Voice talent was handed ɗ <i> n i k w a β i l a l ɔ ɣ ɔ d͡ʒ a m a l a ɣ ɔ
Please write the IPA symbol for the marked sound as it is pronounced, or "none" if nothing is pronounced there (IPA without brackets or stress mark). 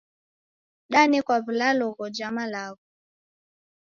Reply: a